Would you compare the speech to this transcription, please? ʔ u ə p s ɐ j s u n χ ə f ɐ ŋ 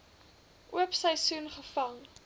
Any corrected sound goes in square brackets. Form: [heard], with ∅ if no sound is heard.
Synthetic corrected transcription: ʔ u ə p s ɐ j s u n χ ə f ɐ ŋ